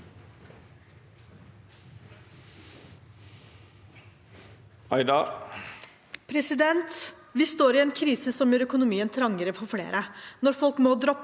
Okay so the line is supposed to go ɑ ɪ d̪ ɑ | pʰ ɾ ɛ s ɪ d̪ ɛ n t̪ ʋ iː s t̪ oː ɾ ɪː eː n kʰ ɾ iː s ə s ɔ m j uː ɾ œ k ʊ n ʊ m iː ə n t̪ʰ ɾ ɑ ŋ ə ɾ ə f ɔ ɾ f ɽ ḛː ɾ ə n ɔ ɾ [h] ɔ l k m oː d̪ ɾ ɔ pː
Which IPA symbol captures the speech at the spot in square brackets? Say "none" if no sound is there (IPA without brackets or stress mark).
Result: f